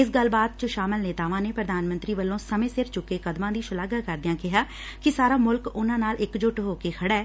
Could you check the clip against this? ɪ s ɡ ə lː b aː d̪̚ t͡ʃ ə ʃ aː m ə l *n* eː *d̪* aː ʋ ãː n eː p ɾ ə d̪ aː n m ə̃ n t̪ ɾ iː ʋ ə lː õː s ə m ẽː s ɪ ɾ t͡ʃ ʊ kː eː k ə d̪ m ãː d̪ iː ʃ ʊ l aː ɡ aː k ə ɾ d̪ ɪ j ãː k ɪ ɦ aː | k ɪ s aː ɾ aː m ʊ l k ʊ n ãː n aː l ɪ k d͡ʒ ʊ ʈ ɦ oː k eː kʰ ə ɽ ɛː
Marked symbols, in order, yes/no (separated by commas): yes, no